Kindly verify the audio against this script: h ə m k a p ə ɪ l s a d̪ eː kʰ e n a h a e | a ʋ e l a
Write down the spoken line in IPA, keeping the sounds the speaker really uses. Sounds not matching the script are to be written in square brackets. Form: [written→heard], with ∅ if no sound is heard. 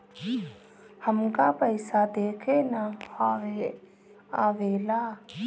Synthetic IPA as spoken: h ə m k a p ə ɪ [l→∅] s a d̪ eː kʰ e n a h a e | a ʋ e l a

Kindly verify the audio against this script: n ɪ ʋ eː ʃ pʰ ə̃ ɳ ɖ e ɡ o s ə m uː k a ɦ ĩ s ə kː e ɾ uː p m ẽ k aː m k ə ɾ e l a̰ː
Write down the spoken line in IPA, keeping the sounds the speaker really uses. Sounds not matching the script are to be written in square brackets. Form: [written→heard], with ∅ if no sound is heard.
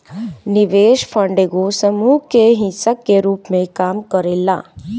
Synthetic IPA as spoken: n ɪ ʋ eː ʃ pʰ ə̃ ɳ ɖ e ɡ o s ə m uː k [a→e] ɦ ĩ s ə kː e ɾ uː p m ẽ k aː m k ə ɾ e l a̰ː

